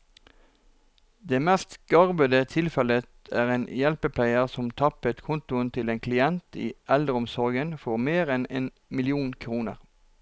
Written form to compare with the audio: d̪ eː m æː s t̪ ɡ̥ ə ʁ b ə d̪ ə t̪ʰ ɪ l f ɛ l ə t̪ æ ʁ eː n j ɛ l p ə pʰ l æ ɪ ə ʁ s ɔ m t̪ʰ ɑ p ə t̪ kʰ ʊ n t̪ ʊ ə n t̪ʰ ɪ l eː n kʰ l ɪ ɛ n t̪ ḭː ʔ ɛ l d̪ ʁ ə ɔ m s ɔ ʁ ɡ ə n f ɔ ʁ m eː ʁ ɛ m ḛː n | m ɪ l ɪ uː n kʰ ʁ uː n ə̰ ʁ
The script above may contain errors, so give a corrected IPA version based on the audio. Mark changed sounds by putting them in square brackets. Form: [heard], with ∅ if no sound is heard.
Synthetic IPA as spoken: d̪ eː m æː s t̪ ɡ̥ [ɑ] ʁ b ə d̪ ə t̪ʰ ɪ l f ɛ l ə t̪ [æː] ʁ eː n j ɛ l p ə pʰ l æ ɪ ə ʁ s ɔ m t̪ʰ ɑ p ə t̪ kʰ ʊ n t̪ ʊ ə n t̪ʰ ɪ l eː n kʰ l ɪ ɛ n t̪ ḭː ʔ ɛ l d̪ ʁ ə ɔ m s ɔ ʁ ɡ ə n f ɔ ʁ m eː ʁ ɛ [n] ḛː n | m ɪ l ɪ uː n kʰ ʁ uː n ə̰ ʁ